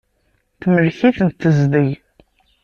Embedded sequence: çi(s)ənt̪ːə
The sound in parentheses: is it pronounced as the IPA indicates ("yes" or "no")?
no